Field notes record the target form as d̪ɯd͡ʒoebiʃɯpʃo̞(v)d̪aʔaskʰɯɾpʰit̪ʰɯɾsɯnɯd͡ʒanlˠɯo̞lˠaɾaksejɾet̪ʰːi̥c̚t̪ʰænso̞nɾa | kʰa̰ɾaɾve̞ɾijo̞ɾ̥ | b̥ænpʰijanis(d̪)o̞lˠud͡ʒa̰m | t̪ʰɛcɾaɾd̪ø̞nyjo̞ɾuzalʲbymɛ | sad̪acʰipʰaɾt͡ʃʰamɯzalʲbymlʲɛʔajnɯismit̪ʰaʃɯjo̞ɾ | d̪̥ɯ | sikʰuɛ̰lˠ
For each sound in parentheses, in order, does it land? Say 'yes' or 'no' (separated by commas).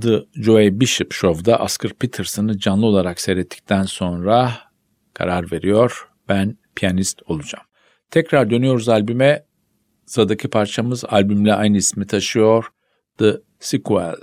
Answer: yes, no